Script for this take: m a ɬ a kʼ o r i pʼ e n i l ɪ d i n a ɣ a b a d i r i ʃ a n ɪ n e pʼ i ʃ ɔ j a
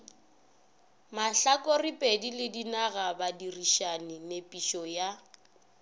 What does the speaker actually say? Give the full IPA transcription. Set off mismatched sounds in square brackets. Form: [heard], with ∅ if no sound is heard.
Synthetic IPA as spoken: m a ɬ a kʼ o r i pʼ e [d] i l ɪ d i n a ɣ a b a d i r i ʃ a n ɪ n e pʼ i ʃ ɔ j a